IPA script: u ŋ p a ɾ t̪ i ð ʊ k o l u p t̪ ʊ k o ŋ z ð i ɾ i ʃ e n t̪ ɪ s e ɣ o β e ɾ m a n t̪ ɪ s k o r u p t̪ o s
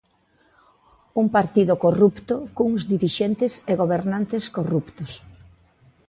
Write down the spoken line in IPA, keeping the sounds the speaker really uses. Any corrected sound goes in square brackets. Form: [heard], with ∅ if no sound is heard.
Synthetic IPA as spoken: u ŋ p a ɾ t̪ i ð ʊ k o [r] u p t̪ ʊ k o ŋ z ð i ɾ i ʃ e n t̪ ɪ s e ɣ o β e ɾ [n] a n t̪ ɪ s k o r u p t̪ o s